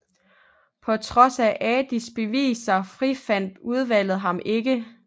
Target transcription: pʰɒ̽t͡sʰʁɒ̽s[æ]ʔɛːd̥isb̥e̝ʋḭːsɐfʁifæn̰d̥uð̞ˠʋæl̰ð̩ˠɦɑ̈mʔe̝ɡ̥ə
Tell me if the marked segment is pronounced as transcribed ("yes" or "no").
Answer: yes